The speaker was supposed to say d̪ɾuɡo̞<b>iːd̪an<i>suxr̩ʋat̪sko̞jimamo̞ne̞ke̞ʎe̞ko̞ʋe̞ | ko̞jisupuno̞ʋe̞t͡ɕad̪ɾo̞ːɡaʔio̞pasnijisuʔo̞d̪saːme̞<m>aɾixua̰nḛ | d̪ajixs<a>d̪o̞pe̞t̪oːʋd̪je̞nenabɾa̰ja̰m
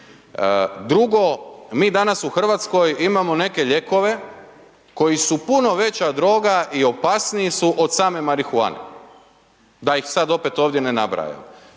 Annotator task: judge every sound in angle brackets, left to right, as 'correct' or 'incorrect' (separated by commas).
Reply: incorrect, incorrect, correct, correct